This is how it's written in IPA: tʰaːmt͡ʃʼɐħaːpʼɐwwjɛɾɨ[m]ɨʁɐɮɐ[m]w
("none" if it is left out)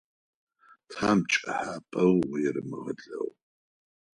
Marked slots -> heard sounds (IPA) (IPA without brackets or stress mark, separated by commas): m, none